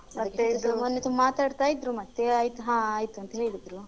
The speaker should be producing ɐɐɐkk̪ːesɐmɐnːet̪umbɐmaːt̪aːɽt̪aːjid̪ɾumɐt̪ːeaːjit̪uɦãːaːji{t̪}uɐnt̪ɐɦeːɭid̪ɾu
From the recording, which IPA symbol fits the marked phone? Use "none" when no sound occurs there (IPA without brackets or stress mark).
t̪